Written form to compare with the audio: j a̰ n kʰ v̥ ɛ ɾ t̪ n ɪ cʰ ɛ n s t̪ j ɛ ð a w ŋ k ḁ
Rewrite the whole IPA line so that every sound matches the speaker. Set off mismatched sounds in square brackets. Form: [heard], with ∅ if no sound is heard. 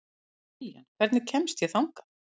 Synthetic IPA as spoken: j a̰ n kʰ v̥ ɛ ɾ t̪ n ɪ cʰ ɛ [m] s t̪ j ɛ [θ] a w ŋ k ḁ